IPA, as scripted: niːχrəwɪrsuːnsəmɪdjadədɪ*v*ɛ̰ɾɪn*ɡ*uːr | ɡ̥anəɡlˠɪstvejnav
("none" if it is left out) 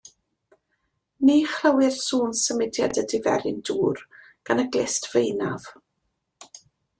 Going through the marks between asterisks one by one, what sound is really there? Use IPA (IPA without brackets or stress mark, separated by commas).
v, d